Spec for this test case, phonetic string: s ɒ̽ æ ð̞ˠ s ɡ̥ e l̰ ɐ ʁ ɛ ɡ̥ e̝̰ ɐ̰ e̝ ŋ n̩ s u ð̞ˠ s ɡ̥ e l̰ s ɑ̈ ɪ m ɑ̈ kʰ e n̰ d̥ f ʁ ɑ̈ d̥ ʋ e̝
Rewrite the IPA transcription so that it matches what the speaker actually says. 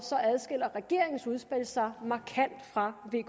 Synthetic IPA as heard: s ɒ̽ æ ð̞ˠ s ɡ̥ e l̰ ɐ ʁ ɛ ɡ̥ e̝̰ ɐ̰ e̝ ŋ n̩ s u ð̞ˠ s b̥ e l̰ s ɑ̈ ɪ m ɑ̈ kʰ æ n̰ d̥ f ʁ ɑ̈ ʋ e̝